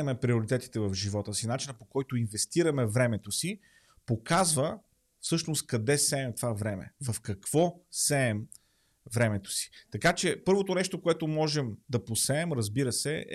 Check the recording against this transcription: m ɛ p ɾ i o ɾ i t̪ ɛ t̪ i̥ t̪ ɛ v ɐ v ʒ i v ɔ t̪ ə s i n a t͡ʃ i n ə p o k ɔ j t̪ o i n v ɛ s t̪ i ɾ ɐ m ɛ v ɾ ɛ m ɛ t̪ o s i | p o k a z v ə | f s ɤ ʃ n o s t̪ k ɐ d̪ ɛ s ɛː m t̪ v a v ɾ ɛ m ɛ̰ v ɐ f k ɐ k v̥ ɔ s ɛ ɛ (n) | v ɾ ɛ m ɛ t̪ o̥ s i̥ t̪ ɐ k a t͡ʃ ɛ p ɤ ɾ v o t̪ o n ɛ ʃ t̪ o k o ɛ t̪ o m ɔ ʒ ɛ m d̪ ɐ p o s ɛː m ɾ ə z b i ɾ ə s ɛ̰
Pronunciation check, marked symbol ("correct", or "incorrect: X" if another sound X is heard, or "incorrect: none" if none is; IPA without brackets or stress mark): incorrect: m